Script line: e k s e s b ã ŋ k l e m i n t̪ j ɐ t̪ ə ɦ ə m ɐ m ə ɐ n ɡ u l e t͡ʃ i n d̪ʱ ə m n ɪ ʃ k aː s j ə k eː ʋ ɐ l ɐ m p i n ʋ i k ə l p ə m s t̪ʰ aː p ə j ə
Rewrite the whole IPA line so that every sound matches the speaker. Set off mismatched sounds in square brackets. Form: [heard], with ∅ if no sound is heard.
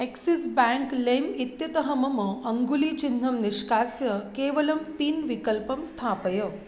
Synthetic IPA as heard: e k s [i] s b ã ŋ k l e m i [∅] t̪ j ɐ t̪ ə ɦ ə m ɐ m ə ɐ [ŋ] ɡ u l [i] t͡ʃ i n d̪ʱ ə m n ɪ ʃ k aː s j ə k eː ʋ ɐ l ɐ m p i n ʋ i k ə l p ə m s t̪ʰ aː p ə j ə